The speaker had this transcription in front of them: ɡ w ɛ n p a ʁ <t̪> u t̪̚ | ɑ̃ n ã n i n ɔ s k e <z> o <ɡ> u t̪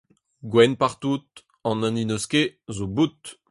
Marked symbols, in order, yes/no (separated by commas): yes, yes, no